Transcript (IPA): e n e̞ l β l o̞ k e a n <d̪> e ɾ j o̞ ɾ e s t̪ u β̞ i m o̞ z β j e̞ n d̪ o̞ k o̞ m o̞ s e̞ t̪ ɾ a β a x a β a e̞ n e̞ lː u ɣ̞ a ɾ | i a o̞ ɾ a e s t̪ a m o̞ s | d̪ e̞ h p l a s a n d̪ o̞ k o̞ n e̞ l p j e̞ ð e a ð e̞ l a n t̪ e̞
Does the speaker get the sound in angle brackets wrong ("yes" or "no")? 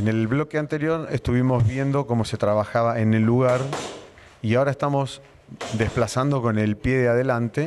yes